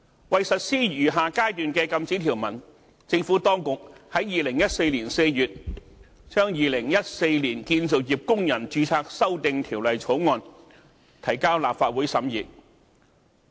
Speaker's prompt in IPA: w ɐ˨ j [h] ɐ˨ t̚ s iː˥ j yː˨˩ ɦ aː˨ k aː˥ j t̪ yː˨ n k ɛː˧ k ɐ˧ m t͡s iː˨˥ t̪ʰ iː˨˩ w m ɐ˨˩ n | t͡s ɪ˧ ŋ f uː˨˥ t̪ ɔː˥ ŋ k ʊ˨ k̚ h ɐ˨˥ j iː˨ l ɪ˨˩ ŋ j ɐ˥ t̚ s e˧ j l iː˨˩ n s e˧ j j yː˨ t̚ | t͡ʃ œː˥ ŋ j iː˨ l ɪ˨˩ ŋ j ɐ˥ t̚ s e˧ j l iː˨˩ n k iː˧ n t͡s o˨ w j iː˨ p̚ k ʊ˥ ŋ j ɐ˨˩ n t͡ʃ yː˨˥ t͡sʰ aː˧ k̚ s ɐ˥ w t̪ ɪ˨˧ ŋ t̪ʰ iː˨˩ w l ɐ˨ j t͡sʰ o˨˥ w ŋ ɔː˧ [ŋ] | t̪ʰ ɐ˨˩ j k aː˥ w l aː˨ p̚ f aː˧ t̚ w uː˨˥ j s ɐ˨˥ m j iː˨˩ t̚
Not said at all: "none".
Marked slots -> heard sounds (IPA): s, n

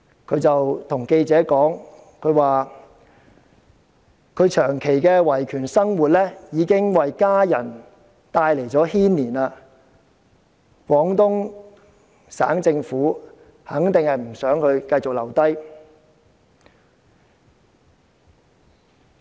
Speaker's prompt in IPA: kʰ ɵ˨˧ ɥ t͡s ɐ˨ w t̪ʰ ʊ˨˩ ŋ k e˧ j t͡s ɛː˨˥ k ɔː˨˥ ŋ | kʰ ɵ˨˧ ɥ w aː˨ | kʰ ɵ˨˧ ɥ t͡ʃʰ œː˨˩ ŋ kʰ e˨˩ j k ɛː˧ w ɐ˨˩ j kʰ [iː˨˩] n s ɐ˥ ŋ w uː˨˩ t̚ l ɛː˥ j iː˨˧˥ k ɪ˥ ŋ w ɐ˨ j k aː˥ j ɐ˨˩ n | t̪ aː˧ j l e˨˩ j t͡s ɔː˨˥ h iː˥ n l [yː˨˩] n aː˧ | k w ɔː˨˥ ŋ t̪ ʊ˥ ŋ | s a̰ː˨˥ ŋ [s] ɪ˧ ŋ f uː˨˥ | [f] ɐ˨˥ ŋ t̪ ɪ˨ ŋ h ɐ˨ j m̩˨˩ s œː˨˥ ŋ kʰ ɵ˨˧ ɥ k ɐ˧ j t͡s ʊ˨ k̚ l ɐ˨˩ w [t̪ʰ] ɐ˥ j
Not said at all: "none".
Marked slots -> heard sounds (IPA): yː˨˩, iː˨˩, t͡s, h, t̪

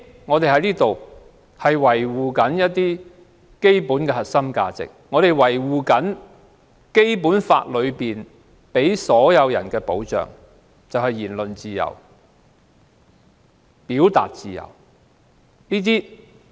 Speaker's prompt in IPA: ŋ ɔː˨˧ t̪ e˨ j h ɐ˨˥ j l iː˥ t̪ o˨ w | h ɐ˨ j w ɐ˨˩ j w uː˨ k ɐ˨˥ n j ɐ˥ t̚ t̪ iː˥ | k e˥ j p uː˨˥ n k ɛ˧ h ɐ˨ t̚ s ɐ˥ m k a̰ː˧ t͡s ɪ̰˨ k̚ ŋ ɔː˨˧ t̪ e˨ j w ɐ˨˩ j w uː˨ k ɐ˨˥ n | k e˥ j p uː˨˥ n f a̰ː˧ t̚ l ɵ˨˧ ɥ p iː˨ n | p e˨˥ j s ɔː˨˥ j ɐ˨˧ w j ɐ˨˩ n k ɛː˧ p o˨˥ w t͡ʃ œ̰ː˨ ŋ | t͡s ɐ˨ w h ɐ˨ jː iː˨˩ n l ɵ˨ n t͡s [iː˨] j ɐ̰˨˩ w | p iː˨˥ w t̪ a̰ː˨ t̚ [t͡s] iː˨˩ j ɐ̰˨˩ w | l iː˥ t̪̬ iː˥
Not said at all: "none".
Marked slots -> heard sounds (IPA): iː˨, t͡s

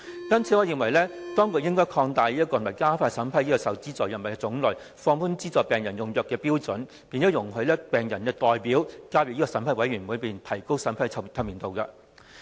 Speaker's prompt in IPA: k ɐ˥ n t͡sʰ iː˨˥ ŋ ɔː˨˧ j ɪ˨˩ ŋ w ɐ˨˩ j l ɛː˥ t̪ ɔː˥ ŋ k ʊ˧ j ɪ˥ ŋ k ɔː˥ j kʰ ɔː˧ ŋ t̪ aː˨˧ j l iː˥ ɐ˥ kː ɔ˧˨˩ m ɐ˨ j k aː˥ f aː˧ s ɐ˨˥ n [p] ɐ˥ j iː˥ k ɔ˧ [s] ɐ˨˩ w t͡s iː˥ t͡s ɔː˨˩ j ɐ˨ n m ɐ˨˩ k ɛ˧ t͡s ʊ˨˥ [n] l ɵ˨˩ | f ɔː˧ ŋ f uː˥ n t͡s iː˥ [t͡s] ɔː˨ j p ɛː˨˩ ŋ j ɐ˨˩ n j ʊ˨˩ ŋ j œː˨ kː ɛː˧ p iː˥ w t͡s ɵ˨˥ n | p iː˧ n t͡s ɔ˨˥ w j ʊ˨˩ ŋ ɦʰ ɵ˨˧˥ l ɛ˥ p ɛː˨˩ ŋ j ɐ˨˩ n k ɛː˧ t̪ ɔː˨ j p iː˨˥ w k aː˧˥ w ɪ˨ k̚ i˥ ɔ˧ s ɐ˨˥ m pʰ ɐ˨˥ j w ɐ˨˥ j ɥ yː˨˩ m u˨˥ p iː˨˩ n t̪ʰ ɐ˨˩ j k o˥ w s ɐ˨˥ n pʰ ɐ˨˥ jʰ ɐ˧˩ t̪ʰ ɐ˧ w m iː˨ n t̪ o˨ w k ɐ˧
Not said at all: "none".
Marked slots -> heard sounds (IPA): pʰ, s, ŋ, t͡s

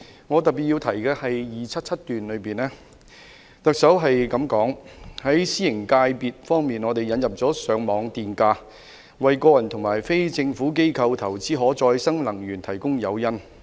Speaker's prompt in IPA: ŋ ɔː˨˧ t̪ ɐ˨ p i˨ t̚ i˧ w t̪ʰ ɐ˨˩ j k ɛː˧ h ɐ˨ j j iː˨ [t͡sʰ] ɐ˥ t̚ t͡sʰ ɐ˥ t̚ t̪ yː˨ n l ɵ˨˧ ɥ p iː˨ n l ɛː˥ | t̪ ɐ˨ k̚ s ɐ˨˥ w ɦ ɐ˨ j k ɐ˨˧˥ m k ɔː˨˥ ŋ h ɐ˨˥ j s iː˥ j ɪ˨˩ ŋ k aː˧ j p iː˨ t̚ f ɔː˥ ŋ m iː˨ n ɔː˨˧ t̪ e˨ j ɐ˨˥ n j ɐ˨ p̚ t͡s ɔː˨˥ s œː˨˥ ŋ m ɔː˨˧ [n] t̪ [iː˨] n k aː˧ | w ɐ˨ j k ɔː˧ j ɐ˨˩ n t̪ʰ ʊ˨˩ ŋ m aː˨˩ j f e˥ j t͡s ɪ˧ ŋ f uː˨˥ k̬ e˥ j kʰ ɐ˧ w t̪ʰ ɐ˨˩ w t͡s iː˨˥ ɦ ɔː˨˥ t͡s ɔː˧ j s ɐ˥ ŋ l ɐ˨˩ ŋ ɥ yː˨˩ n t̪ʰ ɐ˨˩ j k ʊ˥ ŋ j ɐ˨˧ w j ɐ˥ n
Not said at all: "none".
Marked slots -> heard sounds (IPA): t͡sʰ, ŋ, iː˨

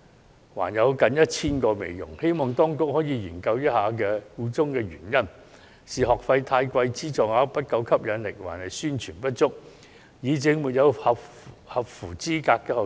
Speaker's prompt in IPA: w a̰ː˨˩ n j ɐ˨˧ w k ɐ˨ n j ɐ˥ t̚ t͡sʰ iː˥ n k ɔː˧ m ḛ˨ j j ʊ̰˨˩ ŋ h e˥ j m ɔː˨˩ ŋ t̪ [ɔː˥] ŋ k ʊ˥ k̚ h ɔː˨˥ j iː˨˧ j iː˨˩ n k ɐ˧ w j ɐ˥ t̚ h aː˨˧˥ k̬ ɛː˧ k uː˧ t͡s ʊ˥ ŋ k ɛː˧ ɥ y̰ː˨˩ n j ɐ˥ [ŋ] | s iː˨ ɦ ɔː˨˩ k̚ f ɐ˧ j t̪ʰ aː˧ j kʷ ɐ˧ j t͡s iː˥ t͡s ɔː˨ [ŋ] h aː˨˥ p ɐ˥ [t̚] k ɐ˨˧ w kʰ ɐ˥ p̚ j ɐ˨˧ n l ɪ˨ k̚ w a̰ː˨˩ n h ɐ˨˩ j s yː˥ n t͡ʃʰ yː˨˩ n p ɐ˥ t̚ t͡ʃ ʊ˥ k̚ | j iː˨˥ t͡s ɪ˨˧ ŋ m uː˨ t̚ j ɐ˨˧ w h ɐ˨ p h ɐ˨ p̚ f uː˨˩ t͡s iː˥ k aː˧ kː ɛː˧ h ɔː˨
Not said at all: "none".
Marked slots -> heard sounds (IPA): ɔː˥, n, ŋ, t̚

